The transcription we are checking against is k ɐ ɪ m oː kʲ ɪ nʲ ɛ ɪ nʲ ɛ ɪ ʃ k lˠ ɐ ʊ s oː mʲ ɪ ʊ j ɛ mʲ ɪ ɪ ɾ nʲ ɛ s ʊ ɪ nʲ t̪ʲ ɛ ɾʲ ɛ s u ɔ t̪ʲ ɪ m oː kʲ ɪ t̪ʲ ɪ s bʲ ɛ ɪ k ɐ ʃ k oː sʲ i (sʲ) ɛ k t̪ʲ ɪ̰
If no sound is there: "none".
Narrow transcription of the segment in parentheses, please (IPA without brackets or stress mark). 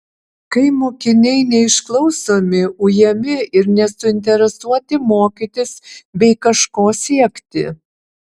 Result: none